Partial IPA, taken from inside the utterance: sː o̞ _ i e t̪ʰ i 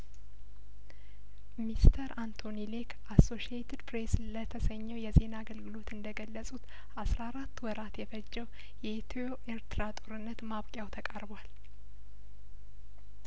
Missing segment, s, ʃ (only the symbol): ʃ